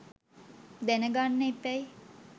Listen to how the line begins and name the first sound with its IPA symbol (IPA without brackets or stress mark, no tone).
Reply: d̪